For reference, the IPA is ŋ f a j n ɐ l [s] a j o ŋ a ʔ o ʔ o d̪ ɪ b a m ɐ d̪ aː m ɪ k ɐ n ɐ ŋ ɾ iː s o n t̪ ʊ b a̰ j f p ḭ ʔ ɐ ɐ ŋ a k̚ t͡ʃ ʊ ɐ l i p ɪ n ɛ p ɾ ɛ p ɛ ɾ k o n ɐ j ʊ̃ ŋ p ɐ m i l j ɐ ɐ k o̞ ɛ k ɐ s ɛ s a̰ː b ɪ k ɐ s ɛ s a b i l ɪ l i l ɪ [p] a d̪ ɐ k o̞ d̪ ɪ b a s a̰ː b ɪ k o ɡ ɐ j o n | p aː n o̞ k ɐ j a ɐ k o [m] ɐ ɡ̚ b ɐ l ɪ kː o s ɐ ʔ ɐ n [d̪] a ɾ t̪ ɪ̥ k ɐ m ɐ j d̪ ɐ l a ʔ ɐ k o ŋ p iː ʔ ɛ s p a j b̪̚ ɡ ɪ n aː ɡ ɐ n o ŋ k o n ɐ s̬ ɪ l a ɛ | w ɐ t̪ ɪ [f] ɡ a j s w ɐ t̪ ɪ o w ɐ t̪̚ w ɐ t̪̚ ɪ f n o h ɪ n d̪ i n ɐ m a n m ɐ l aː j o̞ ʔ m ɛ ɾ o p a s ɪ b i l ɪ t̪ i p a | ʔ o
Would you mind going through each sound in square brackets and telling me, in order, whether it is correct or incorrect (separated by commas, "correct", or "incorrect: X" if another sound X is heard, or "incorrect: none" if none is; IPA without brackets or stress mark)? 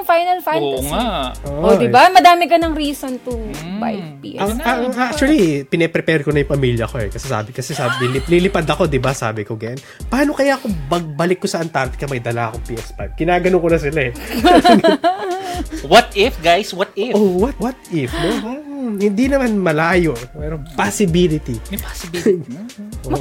incorrect: f, correct, incorrect: b, incorrect: t̪, correct